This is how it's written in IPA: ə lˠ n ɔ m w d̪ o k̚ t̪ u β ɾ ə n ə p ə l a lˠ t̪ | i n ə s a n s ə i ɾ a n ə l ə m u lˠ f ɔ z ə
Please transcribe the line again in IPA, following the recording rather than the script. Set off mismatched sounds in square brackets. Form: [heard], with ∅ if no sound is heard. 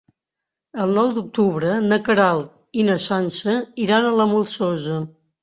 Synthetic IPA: ə lˠ n ɔ [∅] w d̪ [u] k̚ t̪ u β ɾ ə n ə [k] ə [ɾ] a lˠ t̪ | i n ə s a n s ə i ɾ a n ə l ə m u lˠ [s] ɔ z ə